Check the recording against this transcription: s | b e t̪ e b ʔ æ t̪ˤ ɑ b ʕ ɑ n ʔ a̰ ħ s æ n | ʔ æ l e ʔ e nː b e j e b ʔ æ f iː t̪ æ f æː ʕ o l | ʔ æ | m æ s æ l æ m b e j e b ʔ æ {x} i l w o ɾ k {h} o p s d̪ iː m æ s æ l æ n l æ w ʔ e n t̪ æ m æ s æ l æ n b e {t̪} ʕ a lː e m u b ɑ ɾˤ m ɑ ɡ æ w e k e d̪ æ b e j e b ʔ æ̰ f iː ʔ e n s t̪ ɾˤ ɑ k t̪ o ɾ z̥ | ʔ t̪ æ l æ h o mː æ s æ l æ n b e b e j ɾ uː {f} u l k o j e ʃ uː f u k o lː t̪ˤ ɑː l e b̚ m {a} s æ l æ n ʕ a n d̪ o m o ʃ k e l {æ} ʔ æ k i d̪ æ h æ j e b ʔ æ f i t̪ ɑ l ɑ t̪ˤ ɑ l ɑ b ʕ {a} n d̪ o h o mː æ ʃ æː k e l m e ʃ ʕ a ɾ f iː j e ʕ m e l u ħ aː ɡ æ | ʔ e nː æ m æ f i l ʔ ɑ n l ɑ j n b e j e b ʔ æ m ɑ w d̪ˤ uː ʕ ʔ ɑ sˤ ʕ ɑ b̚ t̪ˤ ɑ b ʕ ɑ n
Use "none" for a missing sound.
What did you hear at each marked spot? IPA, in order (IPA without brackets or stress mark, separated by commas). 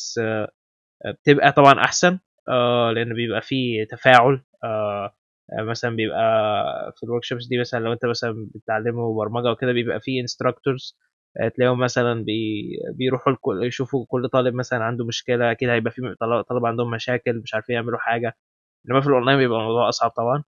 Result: f, ʃ, t̪, ħ, æ, æ, a